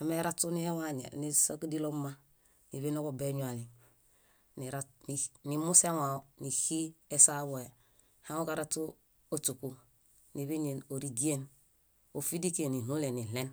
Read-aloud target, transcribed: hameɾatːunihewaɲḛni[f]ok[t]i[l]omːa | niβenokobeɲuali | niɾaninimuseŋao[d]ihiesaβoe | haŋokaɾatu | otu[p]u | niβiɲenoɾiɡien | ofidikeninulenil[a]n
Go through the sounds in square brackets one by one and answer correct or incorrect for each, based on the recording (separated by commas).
incorrect, incorrect, correct, incorrect, incorrect, incorrect